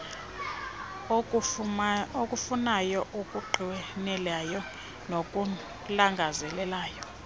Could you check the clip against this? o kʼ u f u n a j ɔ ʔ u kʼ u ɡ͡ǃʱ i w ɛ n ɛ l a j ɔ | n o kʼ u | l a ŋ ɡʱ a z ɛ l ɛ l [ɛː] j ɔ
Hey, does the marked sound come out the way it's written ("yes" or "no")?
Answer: no